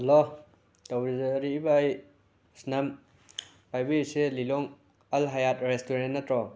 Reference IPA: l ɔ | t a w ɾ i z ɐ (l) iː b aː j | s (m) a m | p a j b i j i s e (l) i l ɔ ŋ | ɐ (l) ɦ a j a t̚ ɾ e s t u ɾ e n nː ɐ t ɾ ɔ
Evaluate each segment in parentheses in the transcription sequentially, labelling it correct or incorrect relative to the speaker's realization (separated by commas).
incorrect, incorrect, correct, correct